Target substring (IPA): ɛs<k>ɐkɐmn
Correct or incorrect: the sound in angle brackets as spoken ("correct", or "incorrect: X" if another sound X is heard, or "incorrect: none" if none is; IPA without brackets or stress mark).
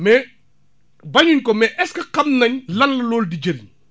correct